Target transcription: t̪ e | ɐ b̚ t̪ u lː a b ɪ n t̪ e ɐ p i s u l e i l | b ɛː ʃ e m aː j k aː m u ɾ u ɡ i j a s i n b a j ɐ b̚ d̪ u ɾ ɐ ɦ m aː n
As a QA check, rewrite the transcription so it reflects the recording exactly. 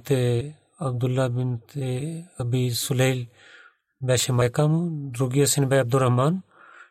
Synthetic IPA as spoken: t̪ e | ɐ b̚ d̪ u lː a b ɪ n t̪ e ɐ b i s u l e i l | b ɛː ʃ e m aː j k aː m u ɾ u ɡ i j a s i n b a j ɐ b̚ d̪ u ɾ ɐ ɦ m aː n